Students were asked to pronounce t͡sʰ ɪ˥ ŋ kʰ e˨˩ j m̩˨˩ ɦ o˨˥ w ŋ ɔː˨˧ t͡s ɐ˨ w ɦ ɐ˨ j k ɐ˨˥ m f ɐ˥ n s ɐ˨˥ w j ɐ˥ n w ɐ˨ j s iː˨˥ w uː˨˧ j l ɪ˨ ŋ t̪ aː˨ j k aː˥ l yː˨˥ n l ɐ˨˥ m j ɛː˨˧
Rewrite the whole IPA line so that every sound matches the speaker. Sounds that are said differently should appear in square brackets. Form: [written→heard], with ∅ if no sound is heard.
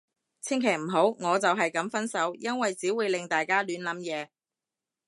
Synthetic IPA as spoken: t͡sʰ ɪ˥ ŋ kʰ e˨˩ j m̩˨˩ ɦ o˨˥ w ŋ ɔː˨˧ t͡s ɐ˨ w ɦ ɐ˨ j k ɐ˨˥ m f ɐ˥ n s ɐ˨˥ w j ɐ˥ n w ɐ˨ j [s→t͡s] iː˨˥ w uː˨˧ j l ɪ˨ ŋ t̪ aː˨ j k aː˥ l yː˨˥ n l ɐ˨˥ m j ɛː˨˧